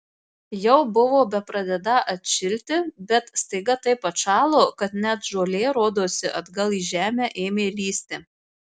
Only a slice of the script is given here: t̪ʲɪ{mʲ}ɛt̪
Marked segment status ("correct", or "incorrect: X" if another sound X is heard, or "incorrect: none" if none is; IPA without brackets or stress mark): incorrect: bʲ